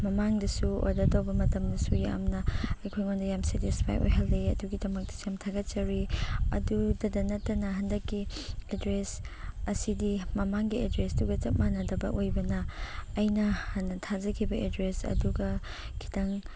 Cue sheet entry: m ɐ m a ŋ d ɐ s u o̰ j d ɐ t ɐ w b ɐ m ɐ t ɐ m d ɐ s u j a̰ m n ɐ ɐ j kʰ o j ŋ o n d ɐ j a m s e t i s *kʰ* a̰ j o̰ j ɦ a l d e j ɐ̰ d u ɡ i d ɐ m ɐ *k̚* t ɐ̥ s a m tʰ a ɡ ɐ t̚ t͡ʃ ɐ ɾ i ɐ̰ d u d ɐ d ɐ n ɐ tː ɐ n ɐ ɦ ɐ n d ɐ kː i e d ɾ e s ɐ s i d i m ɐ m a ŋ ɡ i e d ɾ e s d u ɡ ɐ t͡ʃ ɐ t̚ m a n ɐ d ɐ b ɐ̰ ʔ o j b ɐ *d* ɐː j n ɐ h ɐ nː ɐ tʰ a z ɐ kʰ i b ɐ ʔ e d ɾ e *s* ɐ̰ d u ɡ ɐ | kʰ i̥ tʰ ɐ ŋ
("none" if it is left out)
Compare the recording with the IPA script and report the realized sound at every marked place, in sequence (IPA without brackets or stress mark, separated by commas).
pʰ, k̚, n, s